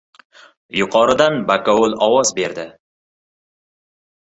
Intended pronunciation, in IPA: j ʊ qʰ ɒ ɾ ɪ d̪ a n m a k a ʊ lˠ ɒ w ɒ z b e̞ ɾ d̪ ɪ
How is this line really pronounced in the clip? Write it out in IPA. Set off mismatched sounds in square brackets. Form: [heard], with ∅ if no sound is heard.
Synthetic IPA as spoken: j ʊ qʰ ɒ ɾ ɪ d̪ a n [b] a k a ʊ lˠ ɒ w ɒ z b e̞ ɾ d̪ ɪ